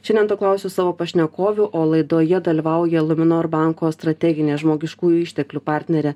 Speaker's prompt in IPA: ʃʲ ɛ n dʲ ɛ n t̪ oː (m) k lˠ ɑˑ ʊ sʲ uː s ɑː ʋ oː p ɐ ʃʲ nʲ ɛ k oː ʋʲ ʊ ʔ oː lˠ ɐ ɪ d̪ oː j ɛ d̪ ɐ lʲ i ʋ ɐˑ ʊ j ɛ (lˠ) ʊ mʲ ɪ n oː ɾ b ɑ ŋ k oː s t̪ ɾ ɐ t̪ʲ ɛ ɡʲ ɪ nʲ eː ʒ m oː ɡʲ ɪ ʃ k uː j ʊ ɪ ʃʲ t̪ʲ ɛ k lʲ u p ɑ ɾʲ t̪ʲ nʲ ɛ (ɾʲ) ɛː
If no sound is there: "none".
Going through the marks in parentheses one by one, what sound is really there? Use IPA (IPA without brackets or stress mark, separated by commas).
none, lˠ, ɾʲ